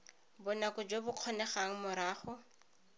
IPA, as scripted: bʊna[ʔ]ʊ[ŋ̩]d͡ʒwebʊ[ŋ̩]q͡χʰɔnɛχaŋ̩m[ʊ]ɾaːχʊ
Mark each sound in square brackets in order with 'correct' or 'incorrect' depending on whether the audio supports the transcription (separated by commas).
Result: incorrect, incorrect, incorrect, correct